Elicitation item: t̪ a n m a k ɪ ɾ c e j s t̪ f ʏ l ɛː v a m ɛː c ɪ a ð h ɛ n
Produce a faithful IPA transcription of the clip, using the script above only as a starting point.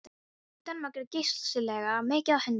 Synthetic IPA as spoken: t̪ a n m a k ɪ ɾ c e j s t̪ s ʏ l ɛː ɣ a m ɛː c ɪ a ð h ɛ n